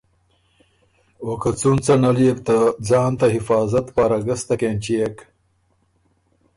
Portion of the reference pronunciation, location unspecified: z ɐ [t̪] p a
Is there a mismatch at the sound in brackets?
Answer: no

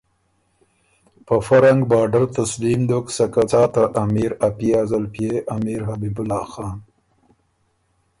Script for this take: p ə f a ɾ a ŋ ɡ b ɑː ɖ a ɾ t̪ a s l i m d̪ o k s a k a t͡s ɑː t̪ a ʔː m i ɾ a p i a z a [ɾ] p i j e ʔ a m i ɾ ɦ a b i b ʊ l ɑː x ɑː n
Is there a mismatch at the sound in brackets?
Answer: yes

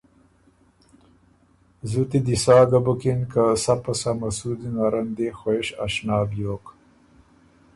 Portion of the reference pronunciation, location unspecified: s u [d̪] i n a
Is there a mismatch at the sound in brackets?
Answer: no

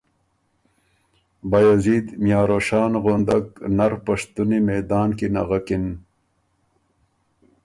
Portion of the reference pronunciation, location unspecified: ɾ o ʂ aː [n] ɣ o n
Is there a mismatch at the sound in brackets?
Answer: no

